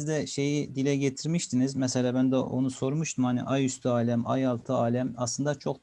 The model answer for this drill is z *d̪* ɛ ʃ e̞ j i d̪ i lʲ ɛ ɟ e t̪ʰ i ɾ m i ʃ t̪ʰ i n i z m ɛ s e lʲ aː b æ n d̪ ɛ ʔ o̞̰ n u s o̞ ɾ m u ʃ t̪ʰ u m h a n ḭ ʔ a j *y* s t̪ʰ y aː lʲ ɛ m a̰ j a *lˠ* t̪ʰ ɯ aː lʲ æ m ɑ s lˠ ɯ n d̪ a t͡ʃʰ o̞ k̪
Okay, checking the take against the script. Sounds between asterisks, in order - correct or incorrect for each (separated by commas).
correct, correct, correct